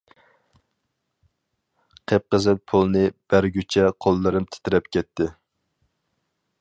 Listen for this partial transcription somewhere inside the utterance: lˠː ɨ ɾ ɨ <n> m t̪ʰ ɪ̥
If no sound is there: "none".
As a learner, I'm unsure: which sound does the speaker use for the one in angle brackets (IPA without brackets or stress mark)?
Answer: none